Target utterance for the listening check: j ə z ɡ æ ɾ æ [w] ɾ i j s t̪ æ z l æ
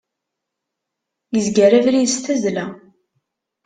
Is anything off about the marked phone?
yes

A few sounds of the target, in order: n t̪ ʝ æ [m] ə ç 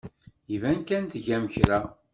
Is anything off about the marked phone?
no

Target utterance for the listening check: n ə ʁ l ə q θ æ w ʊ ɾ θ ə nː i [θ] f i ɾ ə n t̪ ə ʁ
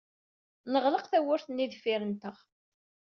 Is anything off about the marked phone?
yes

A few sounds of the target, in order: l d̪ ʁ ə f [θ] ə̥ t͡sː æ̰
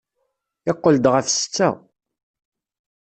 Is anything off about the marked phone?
yes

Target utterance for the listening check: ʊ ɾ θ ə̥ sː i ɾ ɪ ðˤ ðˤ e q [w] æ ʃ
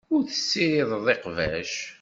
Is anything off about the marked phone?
yes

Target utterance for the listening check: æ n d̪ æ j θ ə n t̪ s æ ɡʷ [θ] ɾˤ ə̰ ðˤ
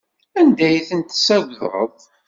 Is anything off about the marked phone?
yes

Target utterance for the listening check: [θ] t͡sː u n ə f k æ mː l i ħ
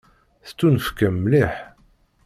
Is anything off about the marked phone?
no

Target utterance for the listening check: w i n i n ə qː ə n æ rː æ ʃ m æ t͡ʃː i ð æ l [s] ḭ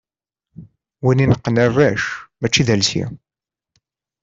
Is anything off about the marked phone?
no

